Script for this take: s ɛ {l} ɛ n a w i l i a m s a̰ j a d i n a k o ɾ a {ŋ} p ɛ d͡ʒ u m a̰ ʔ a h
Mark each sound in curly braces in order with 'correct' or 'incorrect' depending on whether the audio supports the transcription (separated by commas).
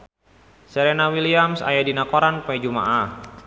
incorrect, incorrect